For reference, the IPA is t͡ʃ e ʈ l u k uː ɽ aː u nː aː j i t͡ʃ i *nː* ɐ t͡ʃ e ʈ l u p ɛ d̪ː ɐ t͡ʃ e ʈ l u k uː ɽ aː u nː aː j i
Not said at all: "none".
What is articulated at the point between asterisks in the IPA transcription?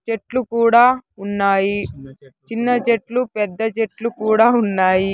nː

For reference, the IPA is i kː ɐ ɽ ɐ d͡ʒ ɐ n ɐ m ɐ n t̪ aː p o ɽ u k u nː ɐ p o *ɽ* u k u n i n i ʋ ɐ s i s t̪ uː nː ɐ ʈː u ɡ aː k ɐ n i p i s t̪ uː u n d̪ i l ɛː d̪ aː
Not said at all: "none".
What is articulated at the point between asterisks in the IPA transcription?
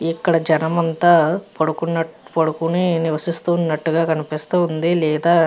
ɽ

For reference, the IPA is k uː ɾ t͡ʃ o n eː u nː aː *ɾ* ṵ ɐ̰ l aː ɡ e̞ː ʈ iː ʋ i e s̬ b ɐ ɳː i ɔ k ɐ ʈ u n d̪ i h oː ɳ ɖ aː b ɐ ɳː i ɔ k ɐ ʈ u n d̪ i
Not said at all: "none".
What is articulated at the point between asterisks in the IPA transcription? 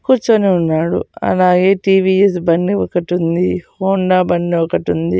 ɽ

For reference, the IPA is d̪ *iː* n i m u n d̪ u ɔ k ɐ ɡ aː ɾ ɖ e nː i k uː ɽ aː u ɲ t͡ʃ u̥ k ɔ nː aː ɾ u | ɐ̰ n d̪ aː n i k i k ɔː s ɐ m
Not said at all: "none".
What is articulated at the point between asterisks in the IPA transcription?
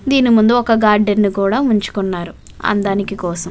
iː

